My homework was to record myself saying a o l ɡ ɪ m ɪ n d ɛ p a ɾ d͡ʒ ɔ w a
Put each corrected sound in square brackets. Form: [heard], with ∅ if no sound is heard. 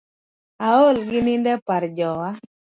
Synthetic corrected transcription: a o l ɡ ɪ [n] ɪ n d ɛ p a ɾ d͡ʒ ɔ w a